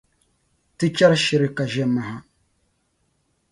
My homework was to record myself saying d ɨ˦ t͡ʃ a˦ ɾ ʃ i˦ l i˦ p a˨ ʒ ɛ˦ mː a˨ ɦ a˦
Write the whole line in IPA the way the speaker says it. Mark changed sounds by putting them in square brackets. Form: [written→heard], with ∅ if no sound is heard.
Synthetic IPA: [d→t] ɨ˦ t͡ʃ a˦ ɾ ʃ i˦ [l→ɾ] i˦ [p→k] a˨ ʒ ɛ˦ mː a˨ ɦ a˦